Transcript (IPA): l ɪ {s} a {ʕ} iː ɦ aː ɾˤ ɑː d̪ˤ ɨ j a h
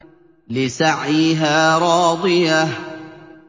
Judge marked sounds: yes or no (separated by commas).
yes, yes